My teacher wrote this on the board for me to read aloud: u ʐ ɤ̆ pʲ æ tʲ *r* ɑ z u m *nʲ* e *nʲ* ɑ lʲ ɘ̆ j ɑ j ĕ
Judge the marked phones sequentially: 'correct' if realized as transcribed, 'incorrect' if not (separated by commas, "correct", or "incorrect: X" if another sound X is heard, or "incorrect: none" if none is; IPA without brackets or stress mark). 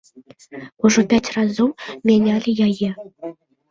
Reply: correct, incorrect: mʲ, correct